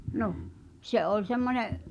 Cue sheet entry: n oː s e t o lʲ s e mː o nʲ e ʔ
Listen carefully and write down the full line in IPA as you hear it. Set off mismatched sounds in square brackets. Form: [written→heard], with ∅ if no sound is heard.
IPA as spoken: n [oː→o] s e [t→ʔ] o lʲ s e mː o nʲ e ʔ